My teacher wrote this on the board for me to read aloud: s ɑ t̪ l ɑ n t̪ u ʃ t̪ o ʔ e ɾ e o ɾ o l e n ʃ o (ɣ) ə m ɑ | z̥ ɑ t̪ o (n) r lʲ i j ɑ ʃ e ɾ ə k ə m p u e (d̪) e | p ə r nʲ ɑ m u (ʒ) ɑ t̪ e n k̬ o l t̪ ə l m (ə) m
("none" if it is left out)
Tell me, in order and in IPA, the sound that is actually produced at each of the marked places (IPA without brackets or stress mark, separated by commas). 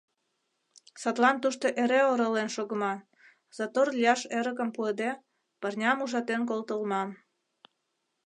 ɣ, none, d̪, ʒ, ɑ